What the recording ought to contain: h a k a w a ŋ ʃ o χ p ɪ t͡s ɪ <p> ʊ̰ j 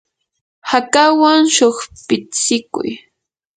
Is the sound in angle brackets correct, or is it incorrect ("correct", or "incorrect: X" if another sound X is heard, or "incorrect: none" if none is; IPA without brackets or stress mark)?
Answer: incorrect: k